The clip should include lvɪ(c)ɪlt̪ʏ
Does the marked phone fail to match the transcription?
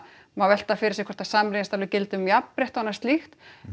no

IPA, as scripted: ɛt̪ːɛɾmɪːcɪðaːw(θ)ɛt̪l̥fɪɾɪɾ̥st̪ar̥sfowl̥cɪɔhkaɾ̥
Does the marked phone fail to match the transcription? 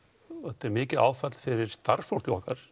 yes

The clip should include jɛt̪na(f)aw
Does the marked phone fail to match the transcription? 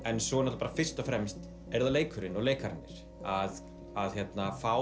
no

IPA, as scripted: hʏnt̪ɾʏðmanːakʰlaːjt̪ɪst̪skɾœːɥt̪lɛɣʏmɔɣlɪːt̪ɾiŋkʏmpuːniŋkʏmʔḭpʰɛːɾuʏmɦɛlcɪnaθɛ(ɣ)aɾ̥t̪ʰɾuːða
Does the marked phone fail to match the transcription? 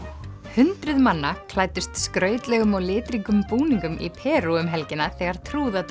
no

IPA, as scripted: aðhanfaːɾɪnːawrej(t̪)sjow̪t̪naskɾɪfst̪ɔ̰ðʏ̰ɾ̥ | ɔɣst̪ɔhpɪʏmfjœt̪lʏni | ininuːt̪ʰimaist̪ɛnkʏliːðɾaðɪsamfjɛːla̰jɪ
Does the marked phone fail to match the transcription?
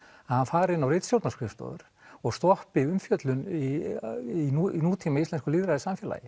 no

